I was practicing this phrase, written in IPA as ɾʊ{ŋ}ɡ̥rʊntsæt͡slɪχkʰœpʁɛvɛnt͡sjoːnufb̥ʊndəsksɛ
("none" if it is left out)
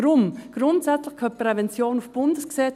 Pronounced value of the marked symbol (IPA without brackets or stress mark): m